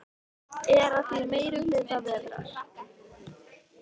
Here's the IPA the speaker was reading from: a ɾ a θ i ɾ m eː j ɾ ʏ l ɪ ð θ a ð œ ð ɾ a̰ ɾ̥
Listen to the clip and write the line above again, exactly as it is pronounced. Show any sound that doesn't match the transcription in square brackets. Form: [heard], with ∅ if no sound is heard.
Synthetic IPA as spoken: [ɛ] ɾ a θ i ɾ m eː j ɾ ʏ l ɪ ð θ a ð [ɛ] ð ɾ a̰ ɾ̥